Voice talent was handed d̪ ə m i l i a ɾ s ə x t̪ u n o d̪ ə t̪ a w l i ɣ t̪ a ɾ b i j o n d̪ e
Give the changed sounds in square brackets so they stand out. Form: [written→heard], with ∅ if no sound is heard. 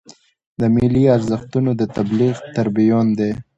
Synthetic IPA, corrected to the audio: d̪ ə m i l i a ɾ [s→z] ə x t̪ u n o d̪ ə t̪ a [w→b] l i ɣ t̪ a ɾ b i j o n d̪ e